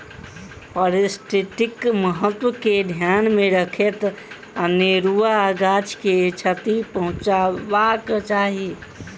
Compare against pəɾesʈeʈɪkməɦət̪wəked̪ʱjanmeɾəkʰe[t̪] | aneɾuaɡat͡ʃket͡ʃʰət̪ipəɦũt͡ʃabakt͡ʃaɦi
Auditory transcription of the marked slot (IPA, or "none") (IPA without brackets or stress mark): t̪